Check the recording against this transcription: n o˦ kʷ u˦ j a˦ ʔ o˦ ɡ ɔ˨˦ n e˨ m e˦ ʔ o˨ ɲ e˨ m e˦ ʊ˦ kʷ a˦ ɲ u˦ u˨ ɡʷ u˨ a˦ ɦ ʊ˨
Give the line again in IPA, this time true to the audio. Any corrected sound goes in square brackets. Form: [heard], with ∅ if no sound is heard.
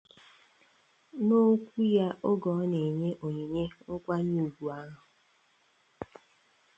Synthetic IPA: n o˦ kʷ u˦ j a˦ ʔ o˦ ɡ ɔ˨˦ n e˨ [ɲ] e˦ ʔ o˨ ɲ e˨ [ɲ] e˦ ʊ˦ kʷ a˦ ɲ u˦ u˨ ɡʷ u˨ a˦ ɦ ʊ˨

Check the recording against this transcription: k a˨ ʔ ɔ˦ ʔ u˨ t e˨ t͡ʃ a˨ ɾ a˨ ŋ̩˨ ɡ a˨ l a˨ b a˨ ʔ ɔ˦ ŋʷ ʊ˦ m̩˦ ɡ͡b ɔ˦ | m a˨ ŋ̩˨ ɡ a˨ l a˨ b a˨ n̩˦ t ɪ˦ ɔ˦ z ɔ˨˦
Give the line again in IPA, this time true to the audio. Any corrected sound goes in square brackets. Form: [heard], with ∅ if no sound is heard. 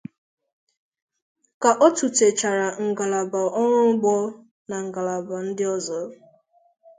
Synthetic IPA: k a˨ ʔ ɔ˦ [t] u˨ t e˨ t͡ʃ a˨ ɾ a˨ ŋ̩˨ ɡ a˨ l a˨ b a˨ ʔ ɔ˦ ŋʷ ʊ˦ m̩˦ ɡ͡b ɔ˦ | [n] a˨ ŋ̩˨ ɡ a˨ l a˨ b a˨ n̩˦ [d] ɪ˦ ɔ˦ z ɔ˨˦

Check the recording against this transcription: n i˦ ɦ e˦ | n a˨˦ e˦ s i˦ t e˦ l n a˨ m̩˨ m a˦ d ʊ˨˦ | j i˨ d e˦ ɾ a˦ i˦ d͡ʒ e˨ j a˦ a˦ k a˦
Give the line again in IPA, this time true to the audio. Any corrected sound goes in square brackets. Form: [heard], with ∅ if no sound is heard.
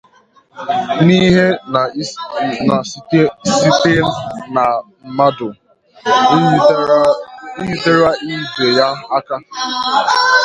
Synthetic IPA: n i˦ ɦ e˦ | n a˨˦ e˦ s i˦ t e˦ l n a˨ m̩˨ m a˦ d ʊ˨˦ | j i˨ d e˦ ɾ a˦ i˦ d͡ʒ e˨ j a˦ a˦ k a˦

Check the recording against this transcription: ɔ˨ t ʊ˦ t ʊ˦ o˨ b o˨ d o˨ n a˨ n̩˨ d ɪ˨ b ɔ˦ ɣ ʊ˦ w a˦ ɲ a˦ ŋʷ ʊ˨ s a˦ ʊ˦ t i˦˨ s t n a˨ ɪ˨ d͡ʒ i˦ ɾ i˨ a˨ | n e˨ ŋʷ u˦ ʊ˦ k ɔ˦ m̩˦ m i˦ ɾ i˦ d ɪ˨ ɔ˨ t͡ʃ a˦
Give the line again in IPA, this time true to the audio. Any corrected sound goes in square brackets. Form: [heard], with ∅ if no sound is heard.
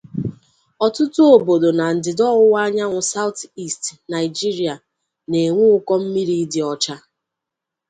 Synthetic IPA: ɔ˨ t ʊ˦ t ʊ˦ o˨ b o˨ d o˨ n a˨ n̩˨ d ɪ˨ [d] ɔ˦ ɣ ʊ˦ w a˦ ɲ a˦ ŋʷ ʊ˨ s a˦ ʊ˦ t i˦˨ s t n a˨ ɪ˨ d͡ʒ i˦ ɾ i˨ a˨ | n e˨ ŋʷ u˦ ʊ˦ k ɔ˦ m̩˦ m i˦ ɾ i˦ d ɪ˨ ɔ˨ t͡ʃ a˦

